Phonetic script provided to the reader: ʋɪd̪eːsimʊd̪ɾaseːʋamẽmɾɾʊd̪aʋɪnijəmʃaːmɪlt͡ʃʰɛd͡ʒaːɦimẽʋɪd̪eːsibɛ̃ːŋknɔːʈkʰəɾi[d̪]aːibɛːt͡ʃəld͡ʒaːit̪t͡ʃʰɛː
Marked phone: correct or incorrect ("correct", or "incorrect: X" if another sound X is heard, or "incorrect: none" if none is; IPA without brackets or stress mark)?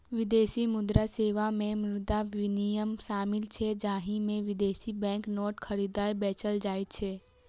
correct